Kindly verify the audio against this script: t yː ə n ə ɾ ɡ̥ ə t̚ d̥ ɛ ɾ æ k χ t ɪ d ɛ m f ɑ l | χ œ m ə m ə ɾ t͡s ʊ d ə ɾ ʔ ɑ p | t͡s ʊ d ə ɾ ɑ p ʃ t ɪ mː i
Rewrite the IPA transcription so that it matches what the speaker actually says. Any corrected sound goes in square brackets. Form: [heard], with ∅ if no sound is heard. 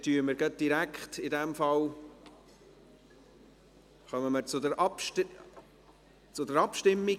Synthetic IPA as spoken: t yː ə [m] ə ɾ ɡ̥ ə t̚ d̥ [i] ɾ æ k χ t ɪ d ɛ m f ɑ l | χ œ m ə m ə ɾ t͡s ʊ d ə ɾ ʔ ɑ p | t͡s ʊ d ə ɾ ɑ p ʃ t ɪ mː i